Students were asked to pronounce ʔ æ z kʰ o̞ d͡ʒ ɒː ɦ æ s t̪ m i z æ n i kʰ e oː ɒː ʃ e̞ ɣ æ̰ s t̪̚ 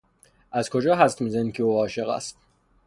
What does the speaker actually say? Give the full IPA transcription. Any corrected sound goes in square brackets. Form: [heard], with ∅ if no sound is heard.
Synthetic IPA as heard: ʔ æ z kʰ o̞ d͡ʒ ɒː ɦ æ s t̪ m i z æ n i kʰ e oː ɒː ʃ e̞ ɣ æ̰ s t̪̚